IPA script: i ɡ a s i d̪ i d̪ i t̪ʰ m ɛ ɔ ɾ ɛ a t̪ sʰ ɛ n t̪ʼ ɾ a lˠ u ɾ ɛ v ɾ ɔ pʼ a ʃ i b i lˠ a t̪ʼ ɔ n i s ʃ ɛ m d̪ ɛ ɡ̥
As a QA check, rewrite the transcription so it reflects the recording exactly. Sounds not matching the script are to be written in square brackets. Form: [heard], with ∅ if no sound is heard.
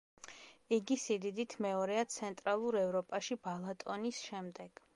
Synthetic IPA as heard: i ɡ [i] s i d̪ i d̪ i t̪ʰ m ɛ ɔ ɾ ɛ a t̪ sʰ ɛ n t̪ʼ ɾ a lˠ u ɾ ɛ v ɾ ɔ pʼ a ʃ i b [a] lˠ a t̪ʼ ɔ n i s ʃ ɛ m d̪ ɛ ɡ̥